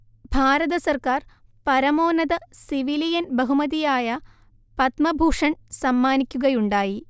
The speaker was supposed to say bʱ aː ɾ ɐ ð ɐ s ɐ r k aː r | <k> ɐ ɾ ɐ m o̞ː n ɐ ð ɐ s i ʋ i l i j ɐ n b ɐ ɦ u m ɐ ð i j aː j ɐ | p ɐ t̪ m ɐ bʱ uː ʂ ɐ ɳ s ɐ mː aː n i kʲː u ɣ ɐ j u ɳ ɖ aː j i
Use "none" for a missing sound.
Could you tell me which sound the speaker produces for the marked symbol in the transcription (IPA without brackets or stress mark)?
p